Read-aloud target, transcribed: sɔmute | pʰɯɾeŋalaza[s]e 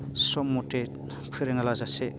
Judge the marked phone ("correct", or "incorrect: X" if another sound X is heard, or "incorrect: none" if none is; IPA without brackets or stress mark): correct